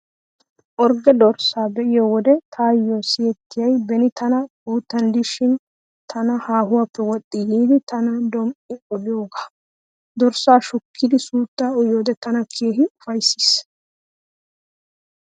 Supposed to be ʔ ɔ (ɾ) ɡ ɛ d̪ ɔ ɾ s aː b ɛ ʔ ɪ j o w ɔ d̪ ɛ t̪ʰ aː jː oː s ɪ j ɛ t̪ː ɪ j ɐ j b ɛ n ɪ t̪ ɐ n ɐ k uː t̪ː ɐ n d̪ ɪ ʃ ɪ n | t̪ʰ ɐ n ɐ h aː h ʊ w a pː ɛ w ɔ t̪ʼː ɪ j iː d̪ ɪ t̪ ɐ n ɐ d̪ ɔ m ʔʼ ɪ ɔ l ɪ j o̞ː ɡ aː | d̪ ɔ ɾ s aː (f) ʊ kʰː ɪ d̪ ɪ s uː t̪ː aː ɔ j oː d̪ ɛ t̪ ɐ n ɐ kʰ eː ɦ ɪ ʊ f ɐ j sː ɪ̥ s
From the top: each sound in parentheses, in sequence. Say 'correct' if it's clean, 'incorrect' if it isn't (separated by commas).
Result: correct, incorrect